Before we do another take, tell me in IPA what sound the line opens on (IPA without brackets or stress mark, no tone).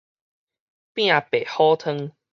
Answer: p